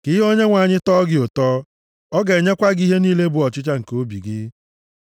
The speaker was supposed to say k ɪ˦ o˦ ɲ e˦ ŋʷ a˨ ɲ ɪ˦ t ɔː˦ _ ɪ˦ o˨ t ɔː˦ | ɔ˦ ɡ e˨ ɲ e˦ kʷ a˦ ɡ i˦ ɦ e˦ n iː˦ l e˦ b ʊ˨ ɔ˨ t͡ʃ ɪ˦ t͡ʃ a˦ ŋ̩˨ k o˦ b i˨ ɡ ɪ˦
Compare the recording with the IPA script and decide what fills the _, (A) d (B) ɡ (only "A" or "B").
B